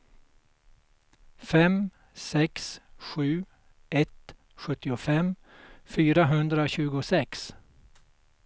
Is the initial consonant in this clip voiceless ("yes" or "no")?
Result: yes